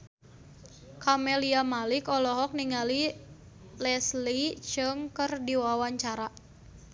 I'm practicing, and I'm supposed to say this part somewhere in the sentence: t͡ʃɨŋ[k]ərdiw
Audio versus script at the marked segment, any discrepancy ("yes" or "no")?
no